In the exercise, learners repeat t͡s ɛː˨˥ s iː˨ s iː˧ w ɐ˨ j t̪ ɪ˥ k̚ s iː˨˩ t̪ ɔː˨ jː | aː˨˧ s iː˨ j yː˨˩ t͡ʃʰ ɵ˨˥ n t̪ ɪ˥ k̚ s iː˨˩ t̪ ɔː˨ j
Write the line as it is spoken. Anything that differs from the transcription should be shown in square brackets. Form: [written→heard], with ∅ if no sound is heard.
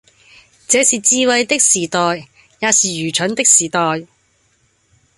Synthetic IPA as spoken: t͡s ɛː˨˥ s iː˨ [s→t͡s] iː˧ w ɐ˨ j t̪ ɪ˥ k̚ s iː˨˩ t̪ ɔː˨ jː | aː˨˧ s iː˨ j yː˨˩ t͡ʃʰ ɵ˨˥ n t̪ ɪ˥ k̚ s iː˨˩ t̪ ɔː˨ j